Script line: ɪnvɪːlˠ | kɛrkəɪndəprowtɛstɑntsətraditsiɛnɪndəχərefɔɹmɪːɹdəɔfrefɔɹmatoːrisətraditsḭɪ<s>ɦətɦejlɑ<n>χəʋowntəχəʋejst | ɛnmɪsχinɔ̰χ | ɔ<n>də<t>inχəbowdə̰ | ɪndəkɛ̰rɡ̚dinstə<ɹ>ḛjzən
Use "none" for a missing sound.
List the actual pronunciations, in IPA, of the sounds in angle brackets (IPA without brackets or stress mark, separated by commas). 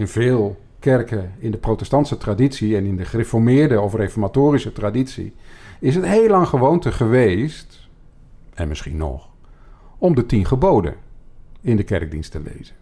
s, ŋ, m, t, l